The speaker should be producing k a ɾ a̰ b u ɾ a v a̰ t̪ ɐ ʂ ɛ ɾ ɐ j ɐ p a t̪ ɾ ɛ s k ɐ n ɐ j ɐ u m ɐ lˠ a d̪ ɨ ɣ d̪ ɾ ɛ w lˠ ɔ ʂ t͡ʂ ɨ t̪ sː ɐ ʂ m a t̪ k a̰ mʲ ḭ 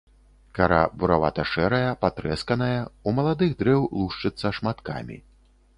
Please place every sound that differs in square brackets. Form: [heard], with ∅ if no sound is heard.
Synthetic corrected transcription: k a ɾ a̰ b u ɾ a v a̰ t̪ ɐ ʂ ɛ ɾ ɐ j ɐ p a t̪ ɾ ɛ s k ɐ n ɐ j ɐ u m ɐ lˠ a d̪ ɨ ɣ d̪ ɾ ɛ w lˠ [u] ʂ t͡ʂ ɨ t̪ sː ɐ ʂ m a t̪ k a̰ mʲ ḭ